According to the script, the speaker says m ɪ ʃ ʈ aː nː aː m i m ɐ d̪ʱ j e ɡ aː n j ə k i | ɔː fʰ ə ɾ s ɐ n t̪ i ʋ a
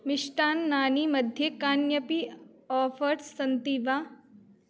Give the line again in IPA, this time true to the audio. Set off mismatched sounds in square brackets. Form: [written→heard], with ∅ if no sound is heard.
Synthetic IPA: m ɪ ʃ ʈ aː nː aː [m→n] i m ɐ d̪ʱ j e [ɡ→k] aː n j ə [k→p] i | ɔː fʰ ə ɾ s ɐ n t̪ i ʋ a

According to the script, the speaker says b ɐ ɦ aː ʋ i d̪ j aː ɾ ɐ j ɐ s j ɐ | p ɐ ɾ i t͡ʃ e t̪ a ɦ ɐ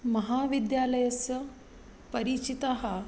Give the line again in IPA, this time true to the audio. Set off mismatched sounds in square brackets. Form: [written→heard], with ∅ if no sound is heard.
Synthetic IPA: [b→m] ɐ ɦ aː ʋ i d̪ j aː [ɾ→l] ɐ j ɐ s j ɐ | p ɐ ɾ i t͡ʃ [e→i] t̪ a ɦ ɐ

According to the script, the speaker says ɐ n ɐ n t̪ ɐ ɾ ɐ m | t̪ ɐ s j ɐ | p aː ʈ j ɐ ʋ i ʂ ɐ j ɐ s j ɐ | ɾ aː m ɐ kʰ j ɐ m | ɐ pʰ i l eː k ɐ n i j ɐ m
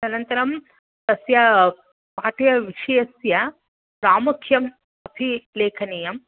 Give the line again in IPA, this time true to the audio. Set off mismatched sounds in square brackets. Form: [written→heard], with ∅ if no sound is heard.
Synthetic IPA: ɐ n ɐ n t̪ ɐ ɾ ɐ m | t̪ ɐ s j ɐ | p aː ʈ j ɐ ʋ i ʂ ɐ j ɐ s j ɐ | ɾ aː m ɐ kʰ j ɐ m | ɐ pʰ i l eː [k→kʰ] ɐ n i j ɐ m

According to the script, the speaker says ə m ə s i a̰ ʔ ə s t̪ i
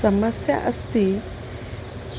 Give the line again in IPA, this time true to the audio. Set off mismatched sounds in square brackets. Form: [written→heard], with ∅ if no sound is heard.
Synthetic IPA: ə m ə s [i→j] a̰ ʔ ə s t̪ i

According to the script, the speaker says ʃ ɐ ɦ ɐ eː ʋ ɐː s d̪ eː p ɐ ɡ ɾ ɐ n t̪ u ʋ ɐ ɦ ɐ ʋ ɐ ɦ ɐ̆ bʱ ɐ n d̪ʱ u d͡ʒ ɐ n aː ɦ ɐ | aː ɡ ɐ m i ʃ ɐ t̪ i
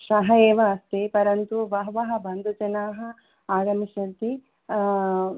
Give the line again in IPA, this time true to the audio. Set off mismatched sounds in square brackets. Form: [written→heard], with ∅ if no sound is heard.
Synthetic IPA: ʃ ɐ ɦ ɐ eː ʋ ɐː s [d̪→t̪] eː p ɐ [ɡ→∅] ɾ ɐ n t̪ u ʋ ɐ ɦ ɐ ʋ ɐ ɦ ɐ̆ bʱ ɐ n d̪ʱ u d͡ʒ ɐ n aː ɦ ɐ | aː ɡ ɐ m i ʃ ɐ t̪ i

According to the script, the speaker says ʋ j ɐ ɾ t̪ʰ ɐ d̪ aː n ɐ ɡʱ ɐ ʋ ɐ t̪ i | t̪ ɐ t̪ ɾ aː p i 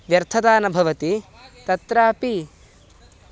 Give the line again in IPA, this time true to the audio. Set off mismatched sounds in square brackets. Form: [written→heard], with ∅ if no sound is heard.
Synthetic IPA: ʋ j ɐ ɾ t̪ʰ ɐ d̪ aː n ɐ [ɡʱ→bʱ] ɐ ʋ ɐ t̪ i | t̪ ɐ t̪ ɾ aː p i

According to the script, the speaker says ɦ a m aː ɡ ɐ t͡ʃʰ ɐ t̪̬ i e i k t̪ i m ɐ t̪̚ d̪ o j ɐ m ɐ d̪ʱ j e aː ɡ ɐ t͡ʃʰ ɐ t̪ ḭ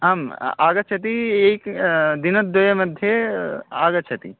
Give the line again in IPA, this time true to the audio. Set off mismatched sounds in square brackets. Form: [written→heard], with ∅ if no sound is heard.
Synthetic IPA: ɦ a m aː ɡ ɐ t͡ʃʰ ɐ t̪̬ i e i k [t̪→d̪] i [m→n] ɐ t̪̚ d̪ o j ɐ m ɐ d̪ʱ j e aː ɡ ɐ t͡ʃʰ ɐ t̪ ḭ

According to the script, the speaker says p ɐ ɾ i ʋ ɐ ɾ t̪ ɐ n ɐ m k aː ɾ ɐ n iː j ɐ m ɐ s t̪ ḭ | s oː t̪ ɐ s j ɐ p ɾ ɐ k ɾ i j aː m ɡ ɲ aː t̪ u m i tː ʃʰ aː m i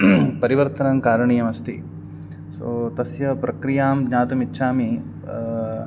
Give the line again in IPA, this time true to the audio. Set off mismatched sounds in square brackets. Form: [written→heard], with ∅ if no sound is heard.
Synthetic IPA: p ɐ ɾ i ʋ ɐ ɾ t̪ ɐ n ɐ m k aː ɾ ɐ [n→ɳ] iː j ɐ m ɐ s t̪ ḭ | s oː t̪ ɐ s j ɐ p ɾ ɐ k ɾ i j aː m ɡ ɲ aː t̪ u m i tː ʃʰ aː m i

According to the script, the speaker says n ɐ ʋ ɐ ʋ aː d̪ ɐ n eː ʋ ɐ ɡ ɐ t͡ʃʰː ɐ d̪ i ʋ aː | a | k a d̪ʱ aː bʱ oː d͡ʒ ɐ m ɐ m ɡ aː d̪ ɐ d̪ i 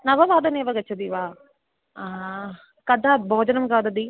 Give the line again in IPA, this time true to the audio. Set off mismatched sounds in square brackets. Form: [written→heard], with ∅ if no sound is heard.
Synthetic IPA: n ɐ ʋ ɐ ʋ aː d̪ ɐ n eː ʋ ɐ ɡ ɐ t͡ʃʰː ɐ d̪ i ʋ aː | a | k [a→ɐ] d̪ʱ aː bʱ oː d͡ʒ ɐ [m→n] ɐ m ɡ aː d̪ ɐ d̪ i

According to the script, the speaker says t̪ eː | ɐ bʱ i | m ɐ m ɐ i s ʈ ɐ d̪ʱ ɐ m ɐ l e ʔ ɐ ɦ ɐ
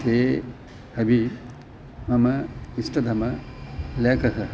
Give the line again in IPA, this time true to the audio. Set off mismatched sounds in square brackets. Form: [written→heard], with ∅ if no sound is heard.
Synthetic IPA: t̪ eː | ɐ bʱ i | m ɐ m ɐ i s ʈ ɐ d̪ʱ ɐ m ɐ l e [ʔ→k] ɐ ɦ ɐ

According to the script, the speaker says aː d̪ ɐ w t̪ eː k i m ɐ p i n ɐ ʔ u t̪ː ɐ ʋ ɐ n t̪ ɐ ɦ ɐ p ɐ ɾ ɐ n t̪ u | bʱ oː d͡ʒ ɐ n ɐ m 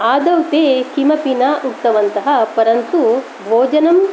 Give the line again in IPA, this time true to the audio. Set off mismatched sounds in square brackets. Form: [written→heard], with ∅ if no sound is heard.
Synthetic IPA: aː d̪ ɐ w t̪ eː k i m ɐ p i n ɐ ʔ u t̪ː ɐ ʋ ɐ n t̪ ɐ ɦ ɐ p ɐ ɾ ɐ n t̪ u | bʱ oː d͡ʒ ɐ n ɐ m

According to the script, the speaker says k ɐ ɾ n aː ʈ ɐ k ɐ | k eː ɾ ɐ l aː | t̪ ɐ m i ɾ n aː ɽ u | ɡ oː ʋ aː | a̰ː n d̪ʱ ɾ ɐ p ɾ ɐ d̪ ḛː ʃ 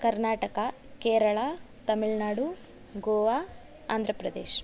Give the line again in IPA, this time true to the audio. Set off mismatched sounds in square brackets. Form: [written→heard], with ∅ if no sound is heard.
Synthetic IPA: k ɐ ɾ n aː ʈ ɐ k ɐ | k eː ɾ ɐ [l→ɭ] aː | t̪ ɐ m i [ɾ→ɭ] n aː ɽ u | ɡ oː ʋ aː | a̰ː n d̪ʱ ɾ ɐ p ɾ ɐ d̪ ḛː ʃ

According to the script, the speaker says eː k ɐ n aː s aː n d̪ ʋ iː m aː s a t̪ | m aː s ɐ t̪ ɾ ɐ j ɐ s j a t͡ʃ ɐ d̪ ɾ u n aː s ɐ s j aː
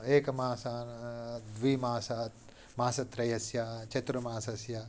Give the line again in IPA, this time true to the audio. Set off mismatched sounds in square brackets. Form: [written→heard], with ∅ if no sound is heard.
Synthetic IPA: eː k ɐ [n→m] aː s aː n d̪ ʋ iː m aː s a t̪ | m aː s ɐ t̪ ɾ ɐ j ɐ s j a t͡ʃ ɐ [d̪→t̪] ɾ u [n→m] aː s ɐ s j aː

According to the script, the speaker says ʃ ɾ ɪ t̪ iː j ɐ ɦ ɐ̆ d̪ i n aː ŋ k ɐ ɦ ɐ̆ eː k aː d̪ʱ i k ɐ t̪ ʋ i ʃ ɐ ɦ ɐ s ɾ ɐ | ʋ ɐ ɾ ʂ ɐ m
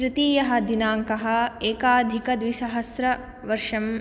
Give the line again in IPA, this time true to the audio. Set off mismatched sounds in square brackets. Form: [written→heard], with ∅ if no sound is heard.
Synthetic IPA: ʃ ɾ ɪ t̪ iː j ɐ ɦ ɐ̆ d̪ i n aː ŋ k ɐ ɦ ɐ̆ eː k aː d̪ʱ i k ɐ [t̪→d̪] ʋ i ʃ ɐ ɦ ɐ s ɾ ɐ | ʋ ɐ ɾ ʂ ɐ m

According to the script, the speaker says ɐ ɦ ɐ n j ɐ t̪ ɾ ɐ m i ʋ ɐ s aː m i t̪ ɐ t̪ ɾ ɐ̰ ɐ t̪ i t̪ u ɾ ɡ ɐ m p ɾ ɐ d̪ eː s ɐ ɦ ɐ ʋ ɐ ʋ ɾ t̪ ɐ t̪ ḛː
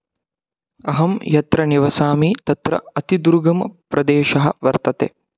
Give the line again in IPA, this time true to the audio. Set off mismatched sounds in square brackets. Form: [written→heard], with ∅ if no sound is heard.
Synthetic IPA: ɐ ɦ ɐ [n→m] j ɐ t̪ ɾ ɐ [m→n] i ʋ ɐ s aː m i t̪ ɐ t̪ ɾ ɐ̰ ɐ t̪ i [t̪→d̪] u ɾ ɡ ɐ m p ɾ ɐ d̪ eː [s→ʃ] ɐ ɦ ɐ ʋ ɐ [ʋ→∅] ɾ t̪ ɐ t̪ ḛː

